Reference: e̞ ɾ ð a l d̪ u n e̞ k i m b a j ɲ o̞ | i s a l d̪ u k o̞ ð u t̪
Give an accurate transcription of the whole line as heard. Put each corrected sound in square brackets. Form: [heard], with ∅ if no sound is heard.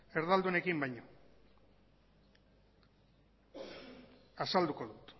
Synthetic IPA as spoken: e̞ ɾ ð a l d̪ u n e̞ k i m b a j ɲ o̞ | [a] s a l d̪ u k o̞ ð u t̪